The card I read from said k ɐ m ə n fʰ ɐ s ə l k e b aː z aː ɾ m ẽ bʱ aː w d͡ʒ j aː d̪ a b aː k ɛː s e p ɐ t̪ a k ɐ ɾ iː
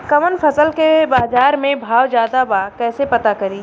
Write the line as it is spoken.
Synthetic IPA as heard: k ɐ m ə n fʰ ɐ s ə l k e b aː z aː ɾ m ẽ bʱ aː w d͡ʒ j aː d̪ a b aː k ɛː s e p ɐ t̪ a k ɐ ɾ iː